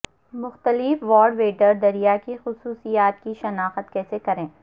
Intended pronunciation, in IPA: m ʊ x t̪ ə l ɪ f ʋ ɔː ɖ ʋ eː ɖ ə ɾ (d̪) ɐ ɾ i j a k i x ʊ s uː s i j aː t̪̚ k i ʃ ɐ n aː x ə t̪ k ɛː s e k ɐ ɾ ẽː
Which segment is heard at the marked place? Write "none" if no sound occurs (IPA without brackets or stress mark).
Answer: d̪